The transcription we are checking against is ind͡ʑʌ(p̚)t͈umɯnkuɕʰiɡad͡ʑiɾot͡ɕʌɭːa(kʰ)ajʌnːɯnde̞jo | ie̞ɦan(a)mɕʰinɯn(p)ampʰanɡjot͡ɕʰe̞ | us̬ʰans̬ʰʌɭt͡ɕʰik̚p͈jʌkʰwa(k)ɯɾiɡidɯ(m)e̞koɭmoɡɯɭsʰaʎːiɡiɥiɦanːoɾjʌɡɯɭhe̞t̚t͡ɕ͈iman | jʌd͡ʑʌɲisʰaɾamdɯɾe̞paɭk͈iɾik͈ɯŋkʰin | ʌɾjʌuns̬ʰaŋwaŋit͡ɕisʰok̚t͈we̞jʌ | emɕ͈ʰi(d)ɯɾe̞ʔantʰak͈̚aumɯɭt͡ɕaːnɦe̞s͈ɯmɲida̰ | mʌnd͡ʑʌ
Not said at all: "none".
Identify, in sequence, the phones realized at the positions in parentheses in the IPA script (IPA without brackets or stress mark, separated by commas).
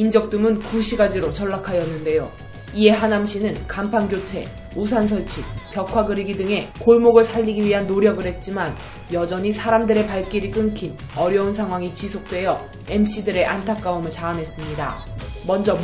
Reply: k̚, kʰ, a, k, ɡ, ŋ, d